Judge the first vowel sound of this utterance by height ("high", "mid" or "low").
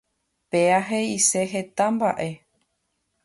mid